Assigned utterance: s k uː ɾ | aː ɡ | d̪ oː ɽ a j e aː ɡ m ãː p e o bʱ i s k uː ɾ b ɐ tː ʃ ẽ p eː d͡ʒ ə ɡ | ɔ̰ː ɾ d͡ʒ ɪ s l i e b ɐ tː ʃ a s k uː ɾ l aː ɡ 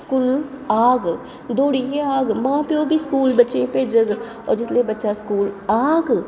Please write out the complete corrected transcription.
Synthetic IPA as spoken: s k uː l | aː ɡ | d̪ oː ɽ i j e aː ɡ m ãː p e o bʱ i s k uː l b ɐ tː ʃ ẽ p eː d͡ʒ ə ɡ | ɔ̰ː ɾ d͡ʒ ɪ s l i e b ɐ tː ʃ a s k uː l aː ɡ

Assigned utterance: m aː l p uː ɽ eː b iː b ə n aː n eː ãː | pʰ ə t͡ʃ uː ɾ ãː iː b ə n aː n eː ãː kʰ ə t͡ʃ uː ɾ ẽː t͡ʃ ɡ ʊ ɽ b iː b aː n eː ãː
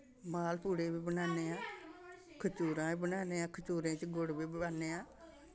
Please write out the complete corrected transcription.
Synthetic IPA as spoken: m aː l p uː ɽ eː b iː b ə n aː n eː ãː | kʰ ə t͡ʃ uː ɾ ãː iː b ə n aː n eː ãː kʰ ə t͡ʃ uː ɾ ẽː t͡ʃ ɡ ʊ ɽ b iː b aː n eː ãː

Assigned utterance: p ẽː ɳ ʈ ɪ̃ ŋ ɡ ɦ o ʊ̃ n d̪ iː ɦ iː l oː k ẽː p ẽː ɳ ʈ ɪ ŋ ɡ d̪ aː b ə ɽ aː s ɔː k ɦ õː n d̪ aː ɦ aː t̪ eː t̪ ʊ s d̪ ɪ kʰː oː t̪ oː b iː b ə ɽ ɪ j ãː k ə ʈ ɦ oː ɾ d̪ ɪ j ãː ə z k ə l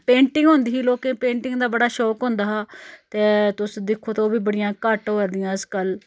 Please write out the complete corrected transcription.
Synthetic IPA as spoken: p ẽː ɳ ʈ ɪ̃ ŋ ɡ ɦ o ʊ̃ n d̪ iː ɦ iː l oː k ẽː p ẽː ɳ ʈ ɪ ŋ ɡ d̪ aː b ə ɽ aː ʃ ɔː k ɦ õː n d̪ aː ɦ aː t̪ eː t̪ ʊ s d̪ ɪ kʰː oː t̪ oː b iː b ə ɽ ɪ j ãː k ə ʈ ɦ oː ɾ d̪ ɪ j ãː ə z k ə l

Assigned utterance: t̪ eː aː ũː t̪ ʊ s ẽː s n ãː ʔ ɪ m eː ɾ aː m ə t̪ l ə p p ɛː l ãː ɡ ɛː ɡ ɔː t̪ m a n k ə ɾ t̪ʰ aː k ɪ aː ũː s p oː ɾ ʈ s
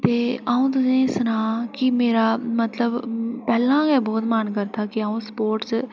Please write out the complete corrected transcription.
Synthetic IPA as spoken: t̪ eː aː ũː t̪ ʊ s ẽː s n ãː k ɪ m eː ɾ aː m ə t̪ l ə b p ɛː l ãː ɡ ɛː b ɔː t̪ m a n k ə ɾ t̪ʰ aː k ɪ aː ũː s p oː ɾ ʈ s

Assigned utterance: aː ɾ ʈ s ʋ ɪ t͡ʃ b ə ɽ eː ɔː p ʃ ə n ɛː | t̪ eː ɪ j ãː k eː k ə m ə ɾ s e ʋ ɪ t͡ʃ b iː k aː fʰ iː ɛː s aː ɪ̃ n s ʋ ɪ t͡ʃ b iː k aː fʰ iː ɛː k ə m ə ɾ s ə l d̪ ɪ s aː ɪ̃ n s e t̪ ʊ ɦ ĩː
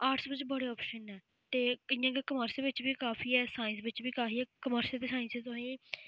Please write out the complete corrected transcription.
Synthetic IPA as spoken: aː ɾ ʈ s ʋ ɪ t͡ʃ b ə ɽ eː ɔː p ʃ ə n ɛː | t̪ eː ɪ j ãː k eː k ə m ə ɾ s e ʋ ɪ t͡ʃ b iː k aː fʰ iː ɛː s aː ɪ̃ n s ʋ ɪ t͡ʃ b iː k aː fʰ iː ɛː k ə m ə ɾ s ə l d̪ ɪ s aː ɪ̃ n s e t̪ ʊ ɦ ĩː

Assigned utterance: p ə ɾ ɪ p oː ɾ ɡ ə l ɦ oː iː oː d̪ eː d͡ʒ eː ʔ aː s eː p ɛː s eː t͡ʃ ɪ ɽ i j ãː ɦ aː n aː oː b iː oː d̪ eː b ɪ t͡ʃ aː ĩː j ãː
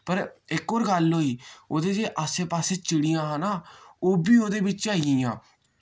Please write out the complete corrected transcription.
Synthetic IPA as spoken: p ə ɾ ɪ k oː ɾ ɡ ə l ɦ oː iː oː d̪ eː d͡ʒ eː ʔ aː s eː p aː s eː t͡ʃ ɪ ɽ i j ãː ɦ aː n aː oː b iː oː d̪ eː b ɪ t͡ʃ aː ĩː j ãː

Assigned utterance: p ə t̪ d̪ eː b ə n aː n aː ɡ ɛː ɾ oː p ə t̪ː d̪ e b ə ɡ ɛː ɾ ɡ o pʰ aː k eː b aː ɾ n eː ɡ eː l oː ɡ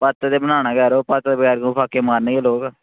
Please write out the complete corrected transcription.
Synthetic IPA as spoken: p ə t̪ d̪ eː b ə n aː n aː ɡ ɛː ɾ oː p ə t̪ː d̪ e b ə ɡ ɛː ɾ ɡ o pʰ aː k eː m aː ɾ n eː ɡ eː l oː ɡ

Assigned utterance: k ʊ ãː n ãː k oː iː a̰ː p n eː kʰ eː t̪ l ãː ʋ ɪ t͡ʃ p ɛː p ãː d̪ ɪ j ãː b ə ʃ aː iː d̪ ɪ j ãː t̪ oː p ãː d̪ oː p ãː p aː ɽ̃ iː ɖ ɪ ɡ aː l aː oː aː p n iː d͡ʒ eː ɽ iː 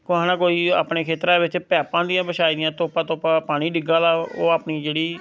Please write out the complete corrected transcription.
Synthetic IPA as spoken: k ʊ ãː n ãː k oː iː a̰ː p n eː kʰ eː t̪ ɾ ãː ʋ ɪ t͡ʃ p ɛː p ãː d̪ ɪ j ãː b ə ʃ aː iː d̪ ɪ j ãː t̪ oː p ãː t̪ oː p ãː p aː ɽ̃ iː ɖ ɪ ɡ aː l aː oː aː p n iː d͡ʒ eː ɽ iː

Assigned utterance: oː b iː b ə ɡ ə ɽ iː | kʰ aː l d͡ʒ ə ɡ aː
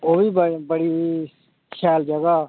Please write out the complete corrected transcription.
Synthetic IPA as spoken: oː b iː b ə b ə ɽ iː | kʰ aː l d͡ʒ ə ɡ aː

